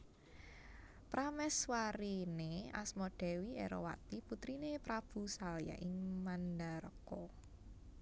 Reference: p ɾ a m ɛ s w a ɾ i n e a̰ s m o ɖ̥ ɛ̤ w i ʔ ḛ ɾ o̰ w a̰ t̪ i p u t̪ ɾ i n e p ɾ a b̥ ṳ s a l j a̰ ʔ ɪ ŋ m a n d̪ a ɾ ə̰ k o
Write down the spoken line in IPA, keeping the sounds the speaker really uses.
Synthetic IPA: p ɾ a m ɛ s w a ɾ i n e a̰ s m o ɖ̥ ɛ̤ w i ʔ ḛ ɾ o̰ w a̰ t̪ i p u t̪ ɾ i n e p ɾ a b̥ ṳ s a l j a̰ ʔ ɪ ŋ m a n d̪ a ɾ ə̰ k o